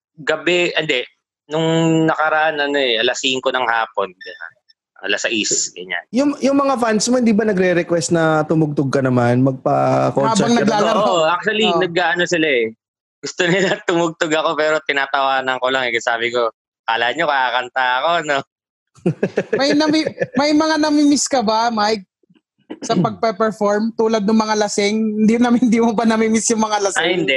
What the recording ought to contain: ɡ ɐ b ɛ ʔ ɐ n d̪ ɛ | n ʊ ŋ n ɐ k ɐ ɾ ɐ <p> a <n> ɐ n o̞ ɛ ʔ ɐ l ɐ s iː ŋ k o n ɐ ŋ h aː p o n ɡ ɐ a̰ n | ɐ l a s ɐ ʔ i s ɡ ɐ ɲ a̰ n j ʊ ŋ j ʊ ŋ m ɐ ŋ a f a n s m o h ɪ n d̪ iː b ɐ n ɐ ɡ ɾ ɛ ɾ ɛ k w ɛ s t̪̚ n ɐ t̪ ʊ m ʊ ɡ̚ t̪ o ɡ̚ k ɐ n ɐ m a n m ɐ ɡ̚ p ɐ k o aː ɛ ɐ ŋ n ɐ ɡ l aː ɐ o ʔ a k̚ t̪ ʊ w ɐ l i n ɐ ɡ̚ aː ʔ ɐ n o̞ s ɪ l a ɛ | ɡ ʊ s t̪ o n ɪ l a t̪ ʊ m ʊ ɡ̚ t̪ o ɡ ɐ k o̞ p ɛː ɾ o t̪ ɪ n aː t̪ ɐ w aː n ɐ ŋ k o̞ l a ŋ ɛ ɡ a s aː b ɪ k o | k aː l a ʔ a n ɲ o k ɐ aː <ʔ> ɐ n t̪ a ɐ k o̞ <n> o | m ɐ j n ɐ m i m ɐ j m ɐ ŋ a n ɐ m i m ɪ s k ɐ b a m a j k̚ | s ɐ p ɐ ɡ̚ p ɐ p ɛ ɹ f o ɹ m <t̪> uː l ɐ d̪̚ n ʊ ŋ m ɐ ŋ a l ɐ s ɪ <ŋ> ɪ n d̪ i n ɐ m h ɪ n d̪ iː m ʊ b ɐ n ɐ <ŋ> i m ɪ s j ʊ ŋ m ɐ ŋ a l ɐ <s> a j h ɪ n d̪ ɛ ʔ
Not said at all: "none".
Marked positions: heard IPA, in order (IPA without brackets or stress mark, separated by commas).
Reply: ʔ, n, k, n, t̪, ŋ, m, s